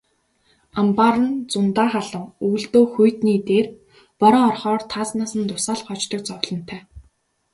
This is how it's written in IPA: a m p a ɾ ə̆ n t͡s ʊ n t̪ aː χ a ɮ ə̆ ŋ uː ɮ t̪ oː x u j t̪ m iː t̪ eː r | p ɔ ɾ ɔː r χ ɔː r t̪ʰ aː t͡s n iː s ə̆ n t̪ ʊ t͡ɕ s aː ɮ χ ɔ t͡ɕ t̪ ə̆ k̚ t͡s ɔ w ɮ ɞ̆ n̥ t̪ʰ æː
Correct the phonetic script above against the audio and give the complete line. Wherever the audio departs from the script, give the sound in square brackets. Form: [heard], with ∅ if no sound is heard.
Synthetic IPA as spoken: a m p a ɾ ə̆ n t͡s ʊ n t̪ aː χ a ɮ ə̆ ŋ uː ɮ t̪ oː x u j t̪ [n] iː t̪ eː r | p ɔ ɾ ɔː r χ ɔː r t̪ʰ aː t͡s n [aː] s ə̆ n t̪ ʊ [∅] s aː ɮ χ ɔ t͡ɕ t̪ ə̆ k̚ t͡s ɔ w ɮ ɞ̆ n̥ t̪ʰ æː